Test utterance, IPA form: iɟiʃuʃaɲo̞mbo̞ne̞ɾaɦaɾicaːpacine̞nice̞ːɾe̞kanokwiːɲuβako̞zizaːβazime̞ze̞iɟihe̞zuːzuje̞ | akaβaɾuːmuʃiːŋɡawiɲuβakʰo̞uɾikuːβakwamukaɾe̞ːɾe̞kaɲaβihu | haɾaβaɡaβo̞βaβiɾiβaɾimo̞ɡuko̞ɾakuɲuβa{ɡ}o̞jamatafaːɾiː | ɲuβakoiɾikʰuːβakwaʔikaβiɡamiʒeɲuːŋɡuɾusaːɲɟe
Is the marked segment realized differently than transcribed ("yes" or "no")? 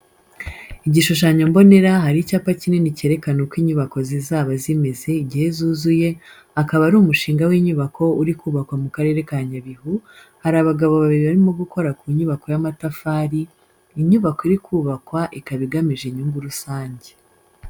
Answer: yes